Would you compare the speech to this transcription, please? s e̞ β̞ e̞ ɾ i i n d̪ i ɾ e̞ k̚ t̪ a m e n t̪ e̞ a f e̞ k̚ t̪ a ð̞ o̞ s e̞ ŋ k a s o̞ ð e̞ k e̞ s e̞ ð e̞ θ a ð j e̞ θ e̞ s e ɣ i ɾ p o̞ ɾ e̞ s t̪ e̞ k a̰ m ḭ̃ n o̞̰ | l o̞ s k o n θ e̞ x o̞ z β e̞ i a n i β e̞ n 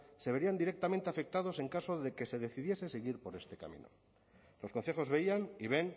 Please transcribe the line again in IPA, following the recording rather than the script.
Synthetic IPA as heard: s e̞ β̞ e̞ ɾ i a n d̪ i ɾ e̞ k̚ t̪ a m e n t̪ e̞ a f e̞ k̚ t̪ a ð̞ o̞ s e̞ ŋ k a s o̞ ð e̞ k e̞ s e̞ ð e̞ θ i ð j e̞ s e̞ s e ɣ i ɾ p o̞ ɾ e̞ s t̪ e̞ k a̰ m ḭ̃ n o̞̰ | l o̞ s k o n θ e̞ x o̞ z β e̞ i a n i β e̞ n